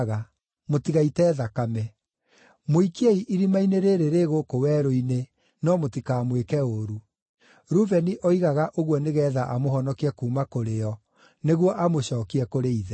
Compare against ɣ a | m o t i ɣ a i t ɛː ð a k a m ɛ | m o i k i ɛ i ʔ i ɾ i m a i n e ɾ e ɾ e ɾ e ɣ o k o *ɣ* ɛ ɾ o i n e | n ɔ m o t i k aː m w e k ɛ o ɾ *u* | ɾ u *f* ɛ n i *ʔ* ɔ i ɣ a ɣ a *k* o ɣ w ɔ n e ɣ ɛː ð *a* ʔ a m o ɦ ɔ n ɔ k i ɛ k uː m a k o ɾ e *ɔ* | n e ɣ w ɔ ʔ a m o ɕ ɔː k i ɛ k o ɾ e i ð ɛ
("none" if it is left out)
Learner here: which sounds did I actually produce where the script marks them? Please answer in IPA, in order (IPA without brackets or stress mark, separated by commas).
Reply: w, u, v, ʔ, ʔ, a, ɔ